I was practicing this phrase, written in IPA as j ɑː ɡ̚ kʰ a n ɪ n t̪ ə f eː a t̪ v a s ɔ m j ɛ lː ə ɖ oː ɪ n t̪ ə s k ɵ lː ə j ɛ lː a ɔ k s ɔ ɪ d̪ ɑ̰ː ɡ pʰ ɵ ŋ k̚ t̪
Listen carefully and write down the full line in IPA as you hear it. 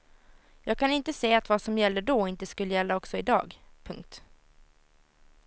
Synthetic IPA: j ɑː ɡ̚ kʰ a n ɪ n t̪ ə s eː a t̪ v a s ɔ m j ɛ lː ə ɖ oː ɪ n t̪ ə s k ɵ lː ə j ɛ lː a ɔ k s ɔ ɪ d̪ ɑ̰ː ɡ pʰ ɵ ŋ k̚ t̪